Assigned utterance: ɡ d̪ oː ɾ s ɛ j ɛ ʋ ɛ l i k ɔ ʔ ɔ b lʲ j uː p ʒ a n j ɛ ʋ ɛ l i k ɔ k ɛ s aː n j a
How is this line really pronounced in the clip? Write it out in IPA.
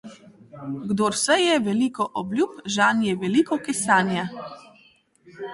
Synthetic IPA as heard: ɡ d̪ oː ɾ s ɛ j ɛ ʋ ɛ l i k ɔ ʔ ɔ b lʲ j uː p ʒ a n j ɛ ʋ ɛ l i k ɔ k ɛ s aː n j a